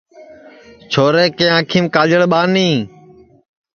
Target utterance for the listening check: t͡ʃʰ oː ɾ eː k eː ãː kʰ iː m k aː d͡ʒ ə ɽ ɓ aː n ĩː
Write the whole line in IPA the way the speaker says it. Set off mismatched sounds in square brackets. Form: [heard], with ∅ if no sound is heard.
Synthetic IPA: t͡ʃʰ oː ɾ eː k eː ãː kʰ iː m k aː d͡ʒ ə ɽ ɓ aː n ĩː